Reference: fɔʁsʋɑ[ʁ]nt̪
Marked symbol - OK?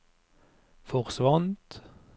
no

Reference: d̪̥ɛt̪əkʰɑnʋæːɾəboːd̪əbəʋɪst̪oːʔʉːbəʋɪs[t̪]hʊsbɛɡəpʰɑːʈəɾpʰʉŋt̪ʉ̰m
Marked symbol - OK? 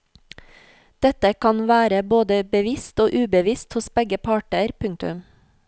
yes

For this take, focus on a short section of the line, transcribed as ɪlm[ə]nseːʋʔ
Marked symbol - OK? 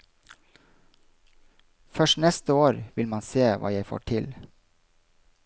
no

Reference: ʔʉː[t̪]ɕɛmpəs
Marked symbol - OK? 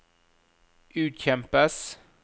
yes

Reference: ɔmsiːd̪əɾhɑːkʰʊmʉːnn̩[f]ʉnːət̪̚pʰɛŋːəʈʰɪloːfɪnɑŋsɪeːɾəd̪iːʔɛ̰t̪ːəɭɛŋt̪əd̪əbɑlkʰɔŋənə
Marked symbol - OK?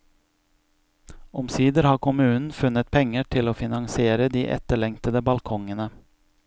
yes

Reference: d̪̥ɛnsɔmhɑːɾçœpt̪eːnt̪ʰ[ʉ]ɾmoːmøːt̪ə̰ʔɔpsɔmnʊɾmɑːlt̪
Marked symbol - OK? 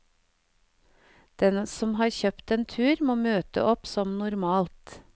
no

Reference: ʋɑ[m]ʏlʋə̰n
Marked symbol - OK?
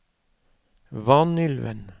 no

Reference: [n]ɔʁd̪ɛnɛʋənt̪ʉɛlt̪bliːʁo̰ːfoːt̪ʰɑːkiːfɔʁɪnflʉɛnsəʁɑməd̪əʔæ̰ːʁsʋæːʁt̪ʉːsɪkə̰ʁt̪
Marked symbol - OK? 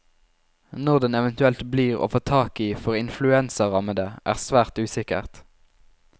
yes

